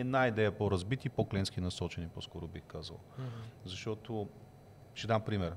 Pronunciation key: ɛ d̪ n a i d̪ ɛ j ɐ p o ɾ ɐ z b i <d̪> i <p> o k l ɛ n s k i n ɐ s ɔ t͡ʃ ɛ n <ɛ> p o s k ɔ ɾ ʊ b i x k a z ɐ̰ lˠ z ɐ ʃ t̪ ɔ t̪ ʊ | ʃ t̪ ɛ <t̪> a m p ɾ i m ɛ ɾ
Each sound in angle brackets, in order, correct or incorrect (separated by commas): incorrect, correct, incorrect, incorrect